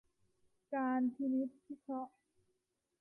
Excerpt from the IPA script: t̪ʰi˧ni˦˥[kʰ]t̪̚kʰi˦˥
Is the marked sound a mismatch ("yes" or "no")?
yes